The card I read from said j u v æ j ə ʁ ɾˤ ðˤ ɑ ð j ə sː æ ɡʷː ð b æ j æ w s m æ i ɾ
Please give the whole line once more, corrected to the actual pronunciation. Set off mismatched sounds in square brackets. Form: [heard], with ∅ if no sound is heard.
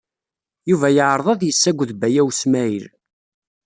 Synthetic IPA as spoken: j u v æ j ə [ʕ] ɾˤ ðˤ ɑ ð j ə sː æ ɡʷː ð b æ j æ w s m æ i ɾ